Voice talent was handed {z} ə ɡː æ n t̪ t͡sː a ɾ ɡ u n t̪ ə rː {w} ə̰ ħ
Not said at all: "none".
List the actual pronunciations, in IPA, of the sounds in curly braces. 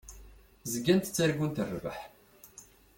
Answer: z, v

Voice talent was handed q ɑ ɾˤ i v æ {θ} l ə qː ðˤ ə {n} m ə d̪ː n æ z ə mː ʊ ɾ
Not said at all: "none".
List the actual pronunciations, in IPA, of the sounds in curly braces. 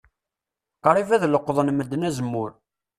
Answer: ð, n

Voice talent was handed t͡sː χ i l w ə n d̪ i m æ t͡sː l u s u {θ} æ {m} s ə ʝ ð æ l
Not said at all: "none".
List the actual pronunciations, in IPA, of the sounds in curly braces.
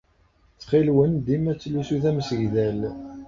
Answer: θ, m

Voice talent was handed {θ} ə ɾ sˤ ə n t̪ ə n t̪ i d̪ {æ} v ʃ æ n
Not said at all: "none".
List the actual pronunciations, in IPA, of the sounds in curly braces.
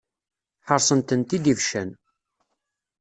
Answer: ħ, i

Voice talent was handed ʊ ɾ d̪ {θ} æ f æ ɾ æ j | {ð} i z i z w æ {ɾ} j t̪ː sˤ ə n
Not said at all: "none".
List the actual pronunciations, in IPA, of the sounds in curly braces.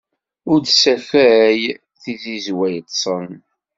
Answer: s, θ, none

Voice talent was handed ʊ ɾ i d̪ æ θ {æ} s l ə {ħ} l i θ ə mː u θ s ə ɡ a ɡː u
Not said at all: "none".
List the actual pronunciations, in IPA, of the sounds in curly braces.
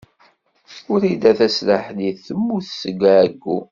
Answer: æ, ħ

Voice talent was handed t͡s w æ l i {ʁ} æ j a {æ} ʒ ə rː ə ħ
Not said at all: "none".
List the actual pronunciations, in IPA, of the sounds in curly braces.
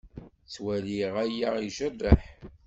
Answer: ʁ, i

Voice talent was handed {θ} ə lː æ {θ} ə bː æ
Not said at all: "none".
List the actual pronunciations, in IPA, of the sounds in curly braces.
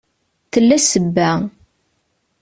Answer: θ, s

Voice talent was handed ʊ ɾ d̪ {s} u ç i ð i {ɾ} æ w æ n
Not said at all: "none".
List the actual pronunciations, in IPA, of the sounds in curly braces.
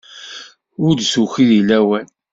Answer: s, l

